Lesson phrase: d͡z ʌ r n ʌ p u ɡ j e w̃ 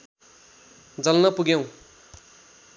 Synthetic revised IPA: d͡z ʌ l n ʌ p u ɡ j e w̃